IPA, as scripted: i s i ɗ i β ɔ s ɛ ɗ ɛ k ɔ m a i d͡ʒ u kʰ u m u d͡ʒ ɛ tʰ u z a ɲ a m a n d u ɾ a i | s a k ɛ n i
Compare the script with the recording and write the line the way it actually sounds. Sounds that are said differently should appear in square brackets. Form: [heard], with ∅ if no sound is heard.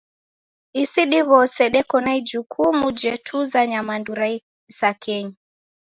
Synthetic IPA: i s i ɗ i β ɔ s ɛ ɗ ɛ k ɔ [n] a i d͡ʒ u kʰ u m u d͡ʒ ɛ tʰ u z a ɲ a m a n d u ɾ a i | s a k ɛ [ɲ] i